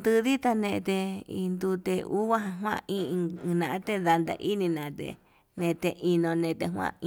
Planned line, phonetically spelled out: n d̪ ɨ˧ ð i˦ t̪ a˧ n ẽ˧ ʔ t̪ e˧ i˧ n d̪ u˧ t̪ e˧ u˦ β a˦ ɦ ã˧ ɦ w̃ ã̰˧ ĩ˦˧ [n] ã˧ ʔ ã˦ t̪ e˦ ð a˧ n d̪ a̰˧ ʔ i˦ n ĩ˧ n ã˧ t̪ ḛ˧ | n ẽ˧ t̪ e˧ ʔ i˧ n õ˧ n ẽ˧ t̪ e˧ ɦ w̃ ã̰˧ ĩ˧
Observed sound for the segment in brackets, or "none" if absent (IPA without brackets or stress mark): n